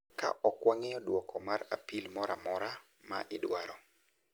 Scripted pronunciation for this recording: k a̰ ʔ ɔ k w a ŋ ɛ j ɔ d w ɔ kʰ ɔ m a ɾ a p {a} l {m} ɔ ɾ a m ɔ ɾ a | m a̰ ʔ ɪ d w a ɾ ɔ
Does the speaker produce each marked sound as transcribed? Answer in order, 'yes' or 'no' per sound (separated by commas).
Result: no, yes